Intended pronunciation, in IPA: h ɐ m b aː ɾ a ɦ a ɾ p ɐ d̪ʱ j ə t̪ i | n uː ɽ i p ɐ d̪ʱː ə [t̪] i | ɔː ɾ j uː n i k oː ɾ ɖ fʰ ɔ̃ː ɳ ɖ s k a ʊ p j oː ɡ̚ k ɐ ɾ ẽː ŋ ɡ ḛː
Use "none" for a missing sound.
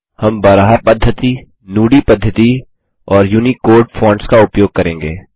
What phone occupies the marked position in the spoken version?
t̪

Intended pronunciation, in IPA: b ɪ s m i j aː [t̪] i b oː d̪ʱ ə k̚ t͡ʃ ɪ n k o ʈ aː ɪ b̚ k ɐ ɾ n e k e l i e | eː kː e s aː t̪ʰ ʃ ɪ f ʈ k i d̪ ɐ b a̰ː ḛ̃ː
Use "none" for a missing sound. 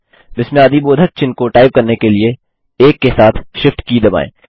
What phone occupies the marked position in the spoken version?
d̪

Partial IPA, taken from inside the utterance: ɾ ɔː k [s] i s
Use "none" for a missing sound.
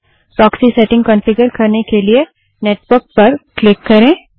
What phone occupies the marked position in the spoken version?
s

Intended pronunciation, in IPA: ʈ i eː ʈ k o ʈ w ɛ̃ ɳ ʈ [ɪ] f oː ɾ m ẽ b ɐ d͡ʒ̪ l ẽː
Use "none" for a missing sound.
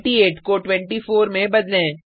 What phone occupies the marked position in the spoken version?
i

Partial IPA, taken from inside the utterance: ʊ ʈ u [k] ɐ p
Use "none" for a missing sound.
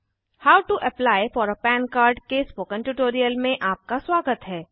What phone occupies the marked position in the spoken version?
ʔ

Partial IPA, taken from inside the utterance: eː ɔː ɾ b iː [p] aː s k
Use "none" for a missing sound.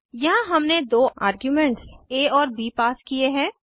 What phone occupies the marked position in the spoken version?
p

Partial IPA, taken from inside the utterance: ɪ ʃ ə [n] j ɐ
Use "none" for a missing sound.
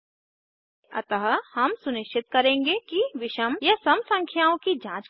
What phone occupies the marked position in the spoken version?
m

